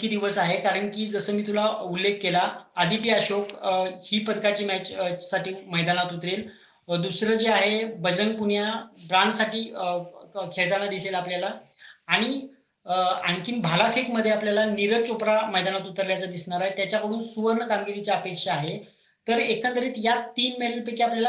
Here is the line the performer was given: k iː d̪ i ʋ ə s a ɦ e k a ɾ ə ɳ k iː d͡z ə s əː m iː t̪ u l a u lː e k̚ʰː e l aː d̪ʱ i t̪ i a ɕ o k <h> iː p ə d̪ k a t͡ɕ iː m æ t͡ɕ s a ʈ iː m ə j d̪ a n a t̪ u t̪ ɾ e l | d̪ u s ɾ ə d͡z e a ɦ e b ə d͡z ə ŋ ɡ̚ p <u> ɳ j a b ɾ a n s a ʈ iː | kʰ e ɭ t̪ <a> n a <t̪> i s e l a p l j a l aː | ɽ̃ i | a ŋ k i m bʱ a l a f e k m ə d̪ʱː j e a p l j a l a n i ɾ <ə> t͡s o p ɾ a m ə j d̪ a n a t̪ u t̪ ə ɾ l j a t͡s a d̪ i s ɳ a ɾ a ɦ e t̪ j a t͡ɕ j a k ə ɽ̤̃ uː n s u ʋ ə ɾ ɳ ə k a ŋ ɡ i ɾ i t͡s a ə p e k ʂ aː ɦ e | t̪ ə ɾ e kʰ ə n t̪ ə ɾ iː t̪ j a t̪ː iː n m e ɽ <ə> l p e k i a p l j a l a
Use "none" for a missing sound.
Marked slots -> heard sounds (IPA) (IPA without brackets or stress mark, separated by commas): h, u, a, d̪, ə, ə